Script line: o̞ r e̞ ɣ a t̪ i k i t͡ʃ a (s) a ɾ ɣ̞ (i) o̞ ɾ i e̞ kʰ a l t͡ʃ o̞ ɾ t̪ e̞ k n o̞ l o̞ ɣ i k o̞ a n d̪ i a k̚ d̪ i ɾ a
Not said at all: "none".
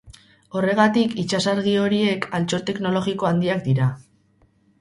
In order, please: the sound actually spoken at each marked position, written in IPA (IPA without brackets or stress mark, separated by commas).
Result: s, i